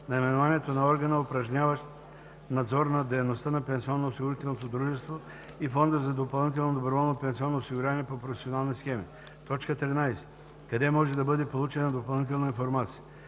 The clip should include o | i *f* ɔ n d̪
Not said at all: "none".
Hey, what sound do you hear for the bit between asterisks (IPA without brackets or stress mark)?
f